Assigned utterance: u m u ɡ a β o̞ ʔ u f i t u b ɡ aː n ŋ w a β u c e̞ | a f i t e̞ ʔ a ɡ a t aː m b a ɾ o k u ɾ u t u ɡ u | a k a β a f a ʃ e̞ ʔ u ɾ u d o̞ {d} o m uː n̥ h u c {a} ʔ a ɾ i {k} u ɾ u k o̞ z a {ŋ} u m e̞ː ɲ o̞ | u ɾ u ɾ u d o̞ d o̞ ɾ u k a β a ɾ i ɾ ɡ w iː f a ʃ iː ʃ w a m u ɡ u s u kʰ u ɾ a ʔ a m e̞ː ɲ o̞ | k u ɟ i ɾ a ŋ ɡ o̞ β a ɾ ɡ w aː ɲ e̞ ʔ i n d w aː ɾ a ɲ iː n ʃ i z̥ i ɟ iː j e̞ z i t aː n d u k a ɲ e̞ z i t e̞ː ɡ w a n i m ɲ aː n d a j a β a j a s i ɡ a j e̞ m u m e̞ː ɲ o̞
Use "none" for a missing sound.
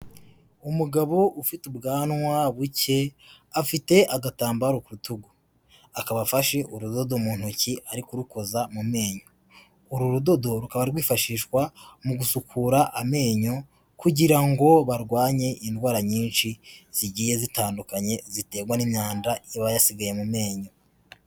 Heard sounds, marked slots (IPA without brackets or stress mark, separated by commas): d, i, k, m